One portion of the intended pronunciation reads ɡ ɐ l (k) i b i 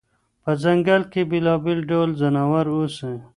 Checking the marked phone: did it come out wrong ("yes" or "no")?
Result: no